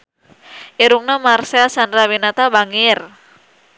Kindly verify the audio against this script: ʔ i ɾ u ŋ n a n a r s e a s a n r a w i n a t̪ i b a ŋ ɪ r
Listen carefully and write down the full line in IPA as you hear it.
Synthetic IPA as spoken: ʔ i ɾ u ŋ n a m a r s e a s a n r a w i n a t̪ a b a ŋ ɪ r